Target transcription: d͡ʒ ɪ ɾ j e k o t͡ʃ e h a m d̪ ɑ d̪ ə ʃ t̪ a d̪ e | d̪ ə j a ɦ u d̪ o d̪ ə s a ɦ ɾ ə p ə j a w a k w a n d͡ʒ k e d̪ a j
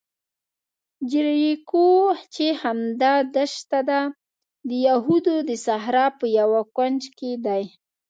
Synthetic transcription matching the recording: d͡ʒ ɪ ɾ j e k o t͡ʃ e h a m d̪ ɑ d̪ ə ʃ t̪ a d̪ a | d̪ ə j a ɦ u d̪ o d̪ ə s a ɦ ɾ ɑ p ə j a w a k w a n d͡ʒ k e d̪ a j